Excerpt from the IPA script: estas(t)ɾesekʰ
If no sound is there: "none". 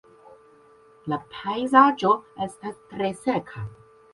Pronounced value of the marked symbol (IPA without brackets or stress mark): t